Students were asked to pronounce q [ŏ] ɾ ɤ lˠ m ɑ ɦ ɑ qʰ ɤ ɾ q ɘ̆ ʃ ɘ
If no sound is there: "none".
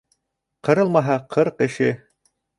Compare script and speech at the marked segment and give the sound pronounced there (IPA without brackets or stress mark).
ɤ̆